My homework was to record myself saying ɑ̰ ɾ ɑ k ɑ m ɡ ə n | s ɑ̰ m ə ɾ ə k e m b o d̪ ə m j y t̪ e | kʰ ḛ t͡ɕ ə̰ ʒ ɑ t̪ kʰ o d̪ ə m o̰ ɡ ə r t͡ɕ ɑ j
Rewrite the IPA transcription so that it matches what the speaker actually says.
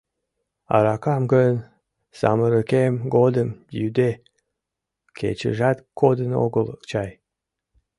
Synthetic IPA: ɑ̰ ɾ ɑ k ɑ m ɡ ə n | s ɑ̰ m ə ɾ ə k e m ɡ o d̪ ə m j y d̪ e | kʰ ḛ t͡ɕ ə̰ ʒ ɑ t̪ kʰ o d̪ ə n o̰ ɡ ə l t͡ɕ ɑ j

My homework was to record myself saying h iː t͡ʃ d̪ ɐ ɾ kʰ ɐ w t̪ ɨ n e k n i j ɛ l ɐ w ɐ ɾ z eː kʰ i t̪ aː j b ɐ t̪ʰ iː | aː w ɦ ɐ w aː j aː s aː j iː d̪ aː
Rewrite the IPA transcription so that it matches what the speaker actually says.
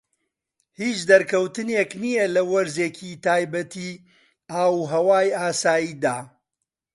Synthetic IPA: h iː t͡ʃ d̪ ɐ ɾ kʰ ɐ w t̪ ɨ n e k n i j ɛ l ɐ w ɐ ɾ z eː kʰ i t̪ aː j b ɐ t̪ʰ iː | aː w ɦ ɐ w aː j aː s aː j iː d̪ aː

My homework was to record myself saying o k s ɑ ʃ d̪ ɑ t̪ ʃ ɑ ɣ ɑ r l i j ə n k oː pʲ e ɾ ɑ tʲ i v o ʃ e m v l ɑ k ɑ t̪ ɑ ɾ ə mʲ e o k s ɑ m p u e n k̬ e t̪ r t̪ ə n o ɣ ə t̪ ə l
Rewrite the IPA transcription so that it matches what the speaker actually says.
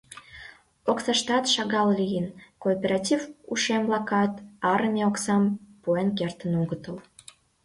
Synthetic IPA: o k s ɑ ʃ t̪ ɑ t̪ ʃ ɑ ɣ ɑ l l i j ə n k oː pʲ e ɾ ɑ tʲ i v u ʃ e m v l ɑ k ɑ t̪ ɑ ɾ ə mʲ e o k s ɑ m p u e n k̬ e r t̪ ə n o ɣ ə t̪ ə l

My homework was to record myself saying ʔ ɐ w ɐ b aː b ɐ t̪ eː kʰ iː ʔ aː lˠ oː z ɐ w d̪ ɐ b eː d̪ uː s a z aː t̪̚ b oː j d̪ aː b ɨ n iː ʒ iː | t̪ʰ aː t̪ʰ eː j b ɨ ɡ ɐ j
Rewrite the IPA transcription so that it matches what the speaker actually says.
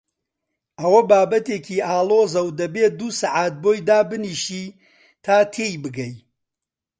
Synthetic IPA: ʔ ɐ w ɐ b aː b ɐ t̪ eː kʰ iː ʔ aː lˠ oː z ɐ w d̪ ɐ b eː d̪ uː s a ʕ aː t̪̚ b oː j d̪ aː b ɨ n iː ʃ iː | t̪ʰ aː t̪ʰ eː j b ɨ ɡ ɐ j

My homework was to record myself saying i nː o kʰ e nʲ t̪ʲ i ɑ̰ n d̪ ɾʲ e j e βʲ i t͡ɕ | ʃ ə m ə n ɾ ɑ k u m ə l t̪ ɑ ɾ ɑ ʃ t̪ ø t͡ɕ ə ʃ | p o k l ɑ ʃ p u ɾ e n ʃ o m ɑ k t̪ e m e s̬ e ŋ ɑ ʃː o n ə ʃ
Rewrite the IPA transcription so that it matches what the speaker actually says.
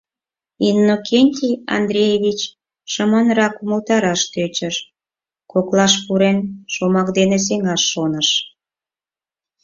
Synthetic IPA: i nː o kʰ e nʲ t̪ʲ i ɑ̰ n d̪ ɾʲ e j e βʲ i t͡ɕ | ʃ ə m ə n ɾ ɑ k u m ə l t̪ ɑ ɾ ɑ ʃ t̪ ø t͡ɕ ə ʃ | k o k l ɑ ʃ p u ɾ e n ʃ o m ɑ k d̪ e n e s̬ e ŋ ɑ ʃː o n ə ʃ

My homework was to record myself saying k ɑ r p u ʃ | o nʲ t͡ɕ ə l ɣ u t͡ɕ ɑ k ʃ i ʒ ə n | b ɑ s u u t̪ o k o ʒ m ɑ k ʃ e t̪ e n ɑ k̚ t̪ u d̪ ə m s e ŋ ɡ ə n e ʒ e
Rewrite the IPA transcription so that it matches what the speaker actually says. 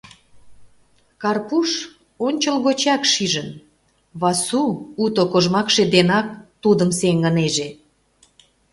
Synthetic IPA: k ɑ r p u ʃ | o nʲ t͡ɕ ə l ɣ o t͡ɕ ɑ k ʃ i ʒ ə n | β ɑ s u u t̪ o k o ʒ m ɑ k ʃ e d̪ e n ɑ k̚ t̪ u d̪ ə m s e ŋ ɡ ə n e ʒ e

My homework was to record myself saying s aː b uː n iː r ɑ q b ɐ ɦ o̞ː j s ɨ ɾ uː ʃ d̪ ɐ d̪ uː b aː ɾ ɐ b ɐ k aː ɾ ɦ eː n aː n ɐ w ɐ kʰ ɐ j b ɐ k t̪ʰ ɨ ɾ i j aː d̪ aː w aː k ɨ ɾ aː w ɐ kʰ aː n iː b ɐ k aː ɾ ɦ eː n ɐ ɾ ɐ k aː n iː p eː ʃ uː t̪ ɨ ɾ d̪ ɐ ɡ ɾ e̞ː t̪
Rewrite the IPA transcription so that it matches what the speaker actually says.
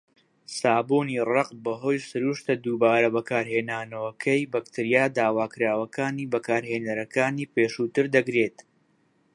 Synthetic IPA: s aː b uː n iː r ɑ q b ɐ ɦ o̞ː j s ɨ ɾ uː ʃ t̪ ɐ d̪ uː b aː ɾ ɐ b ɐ k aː ɾ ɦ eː n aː n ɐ w ɐ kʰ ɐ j b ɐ k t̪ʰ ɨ ɾ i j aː d̪ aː w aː k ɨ ɾ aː w ɐ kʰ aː n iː b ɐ k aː ɾ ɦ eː n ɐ ɾ ɐ k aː n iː p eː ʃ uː t̪ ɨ ɾ d̪ ɐ ɡ ɾ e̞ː t̪

